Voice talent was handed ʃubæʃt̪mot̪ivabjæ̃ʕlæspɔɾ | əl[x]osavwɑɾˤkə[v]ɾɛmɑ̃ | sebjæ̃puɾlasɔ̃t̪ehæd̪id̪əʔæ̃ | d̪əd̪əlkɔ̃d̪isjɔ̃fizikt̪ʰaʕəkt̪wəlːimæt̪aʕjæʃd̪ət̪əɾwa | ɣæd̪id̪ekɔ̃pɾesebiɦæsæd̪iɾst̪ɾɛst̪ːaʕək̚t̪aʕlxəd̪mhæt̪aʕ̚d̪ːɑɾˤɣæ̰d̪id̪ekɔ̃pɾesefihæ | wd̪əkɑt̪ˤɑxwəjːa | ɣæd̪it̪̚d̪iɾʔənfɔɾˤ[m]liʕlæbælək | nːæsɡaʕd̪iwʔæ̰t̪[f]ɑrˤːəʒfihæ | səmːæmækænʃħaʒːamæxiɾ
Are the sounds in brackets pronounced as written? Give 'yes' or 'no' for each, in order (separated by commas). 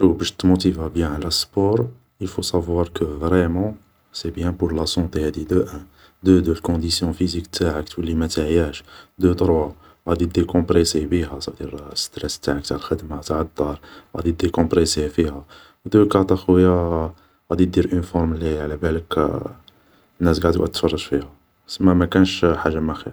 no, yes, yes, yes